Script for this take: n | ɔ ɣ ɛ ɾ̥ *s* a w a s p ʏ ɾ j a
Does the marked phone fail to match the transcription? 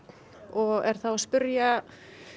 yes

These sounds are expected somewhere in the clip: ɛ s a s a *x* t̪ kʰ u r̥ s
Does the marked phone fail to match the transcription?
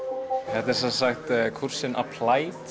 no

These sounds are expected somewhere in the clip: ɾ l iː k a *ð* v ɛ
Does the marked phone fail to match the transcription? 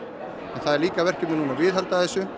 yes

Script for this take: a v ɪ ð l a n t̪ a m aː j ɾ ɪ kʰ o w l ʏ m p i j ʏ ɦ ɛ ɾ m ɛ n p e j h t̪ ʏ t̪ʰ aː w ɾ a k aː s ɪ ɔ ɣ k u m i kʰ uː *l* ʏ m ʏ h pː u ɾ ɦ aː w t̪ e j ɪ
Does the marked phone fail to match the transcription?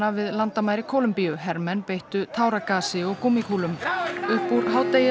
no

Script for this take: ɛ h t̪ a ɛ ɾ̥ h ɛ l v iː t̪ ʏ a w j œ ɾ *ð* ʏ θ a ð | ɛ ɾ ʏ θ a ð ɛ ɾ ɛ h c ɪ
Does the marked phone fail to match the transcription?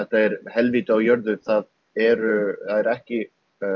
no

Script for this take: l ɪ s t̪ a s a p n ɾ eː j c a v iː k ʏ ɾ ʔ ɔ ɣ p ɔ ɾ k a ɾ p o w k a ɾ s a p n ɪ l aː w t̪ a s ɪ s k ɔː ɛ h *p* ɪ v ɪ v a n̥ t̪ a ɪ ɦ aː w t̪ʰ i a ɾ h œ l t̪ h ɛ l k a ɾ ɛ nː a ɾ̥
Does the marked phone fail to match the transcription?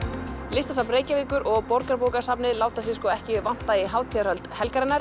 yes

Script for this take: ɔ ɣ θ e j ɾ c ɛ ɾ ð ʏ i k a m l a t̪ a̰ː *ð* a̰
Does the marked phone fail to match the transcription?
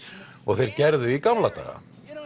yes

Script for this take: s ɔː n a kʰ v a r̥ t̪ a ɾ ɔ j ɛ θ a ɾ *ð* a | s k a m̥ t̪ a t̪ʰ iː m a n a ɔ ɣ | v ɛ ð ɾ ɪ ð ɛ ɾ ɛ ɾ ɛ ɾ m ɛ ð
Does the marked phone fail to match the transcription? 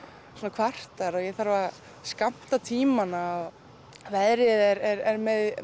yes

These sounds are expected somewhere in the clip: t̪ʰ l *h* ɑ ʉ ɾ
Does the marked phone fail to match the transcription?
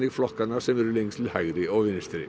no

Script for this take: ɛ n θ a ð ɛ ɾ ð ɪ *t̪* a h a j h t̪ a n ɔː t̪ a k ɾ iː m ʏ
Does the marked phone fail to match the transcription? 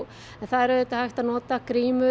no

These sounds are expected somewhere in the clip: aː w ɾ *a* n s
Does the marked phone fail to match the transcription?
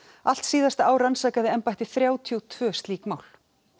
no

